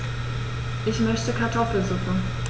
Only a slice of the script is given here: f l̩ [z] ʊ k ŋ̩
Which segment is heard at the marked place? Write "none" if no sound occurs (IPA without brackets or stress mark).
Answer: z